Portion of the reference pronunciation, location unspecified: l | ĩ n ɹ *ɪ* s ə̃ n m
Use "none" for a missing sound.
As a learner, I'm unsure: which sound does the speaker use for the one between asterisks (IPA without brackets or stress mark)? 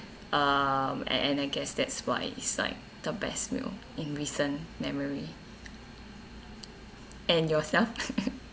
i